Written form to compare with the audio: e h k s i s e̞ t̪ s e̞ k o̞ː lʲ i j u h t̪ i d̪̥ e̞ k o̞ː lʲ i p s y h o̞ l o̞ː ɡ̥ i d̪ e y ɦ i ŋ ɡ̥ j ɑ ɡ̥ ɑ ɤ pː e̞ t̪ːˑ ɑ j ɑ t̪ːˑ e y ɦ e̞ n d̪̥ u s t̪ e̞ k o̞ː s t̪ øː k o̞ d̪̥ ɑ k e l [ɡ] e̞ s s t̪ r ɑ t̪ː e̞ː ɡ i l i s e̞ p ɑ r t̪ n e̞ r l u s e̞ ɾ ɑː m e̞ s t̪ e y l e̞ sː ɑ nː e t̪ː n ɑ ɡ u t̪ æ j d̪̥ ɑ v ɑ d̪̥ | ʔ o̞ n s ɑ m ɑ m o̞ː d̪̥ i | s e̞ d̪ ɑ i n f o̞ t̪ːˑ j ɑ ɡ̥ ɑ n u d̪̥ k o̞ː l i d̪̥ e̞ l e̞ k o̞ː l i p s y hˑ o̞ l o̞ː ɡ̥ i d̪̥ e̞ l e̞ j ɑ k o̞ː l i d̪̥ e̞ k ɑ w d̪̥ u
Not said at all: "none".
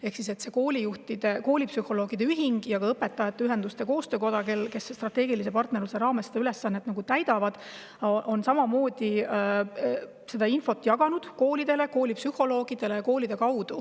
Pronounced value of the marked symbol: k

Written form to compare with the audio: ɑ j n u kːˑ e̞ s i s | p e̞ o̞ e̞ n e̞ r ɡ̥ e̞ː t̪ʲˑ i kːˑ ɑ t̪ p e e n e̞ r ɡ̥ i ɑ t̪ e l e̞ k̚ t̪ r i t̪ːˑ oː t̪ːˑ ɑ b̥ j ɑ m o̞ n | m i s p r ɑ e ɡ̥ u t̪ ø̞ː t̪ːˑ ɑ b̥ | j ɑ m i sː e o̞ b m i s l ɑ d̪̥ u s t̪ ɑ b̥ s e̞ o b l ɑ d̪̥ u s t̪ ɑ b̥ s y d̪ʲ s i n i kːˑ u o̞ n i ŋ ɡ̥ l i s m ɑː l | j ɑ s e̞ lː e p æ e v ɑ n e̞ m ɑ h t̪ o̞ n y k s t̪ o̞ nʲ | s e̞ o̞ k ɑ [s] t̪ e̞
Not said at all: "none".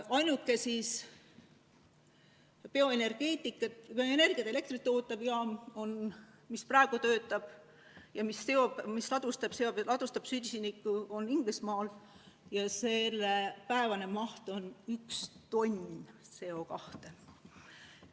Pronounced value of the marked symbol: h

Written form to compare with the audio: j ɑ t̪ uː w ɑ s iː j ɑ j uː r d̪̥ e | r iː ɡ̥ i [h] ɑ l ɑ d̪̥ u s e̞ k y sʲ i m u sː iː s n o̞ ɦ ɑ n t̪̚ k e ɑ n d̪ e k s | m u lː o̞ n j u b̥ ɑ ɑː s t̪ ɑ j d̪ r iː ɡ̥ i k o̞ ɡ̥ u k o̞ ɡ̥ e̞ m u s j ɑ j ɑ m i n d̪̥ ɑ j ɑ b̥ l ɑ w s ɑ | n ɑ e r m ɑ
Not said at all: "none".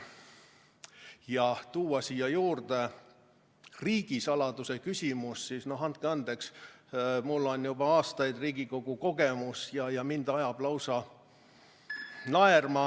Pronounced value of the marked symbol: s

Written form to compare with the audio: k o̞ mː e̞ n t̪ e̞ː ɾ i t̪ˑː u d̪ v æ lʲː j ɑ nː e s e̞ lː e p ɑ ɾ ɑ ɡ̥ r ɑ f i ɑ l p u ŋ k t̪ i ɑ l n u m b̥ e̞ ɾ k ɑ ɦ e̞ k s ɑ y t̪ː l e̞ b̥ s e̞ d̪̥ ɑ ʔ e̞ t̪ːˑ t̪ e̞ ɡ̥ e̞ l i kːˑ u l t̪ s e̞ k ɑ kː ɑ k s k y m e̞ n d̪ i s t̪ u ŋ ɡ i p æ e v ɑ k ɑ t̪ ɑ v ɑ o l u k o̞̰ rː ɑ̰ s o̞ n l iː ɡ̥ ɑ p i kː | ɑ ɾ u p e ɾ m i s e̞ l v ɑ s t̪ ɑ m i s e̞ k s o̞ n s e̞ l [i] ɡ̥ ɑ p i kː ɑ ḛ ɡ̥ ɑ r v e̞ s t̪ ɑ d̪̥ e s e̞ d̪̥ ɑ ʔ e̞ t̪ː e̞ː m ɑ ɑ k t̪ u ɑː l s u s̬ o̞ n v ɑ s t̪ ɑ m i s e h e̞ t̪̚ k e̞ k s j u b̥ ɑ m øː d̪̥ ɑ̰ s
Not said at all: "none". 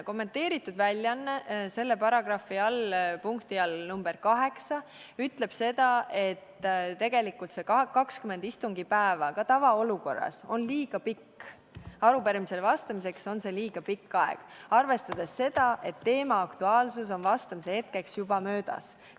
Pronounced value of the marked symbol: iː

